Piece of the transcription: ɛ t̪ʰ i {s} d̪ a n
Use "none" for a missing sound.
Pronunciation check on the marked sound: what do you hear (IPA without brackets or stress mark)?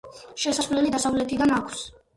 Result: none